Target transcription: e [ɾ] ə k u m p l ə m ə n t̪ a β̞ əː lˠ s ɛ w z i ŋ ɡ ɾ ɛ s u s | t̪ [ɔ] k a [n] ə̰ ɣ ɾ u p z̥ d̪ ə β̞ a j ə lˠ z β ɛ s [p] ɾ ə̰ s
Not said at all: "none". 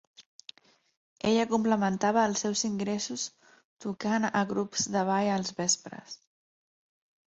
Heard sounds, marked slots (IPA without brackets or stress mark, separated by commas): ʎ, u, n, p